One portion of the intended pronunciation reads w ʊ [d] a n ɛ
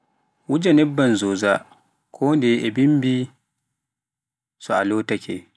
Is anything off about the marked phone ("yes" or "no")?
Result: yes